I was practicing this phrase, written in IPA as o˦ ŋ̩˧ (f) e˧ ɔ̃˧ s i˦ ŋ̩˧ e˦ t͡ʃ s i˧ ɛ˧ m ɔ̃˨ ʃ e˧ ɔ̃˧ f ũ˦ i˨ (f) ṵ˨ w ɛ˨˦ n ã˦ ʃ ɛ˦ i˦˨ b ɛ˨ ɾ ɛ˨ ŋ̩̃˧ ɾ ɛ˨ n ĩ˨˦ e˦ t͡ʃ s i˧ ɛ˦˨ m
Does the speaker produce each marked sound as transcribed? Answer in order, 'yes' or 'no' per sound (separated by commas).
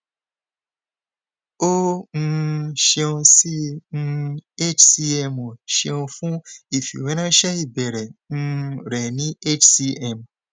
no, yes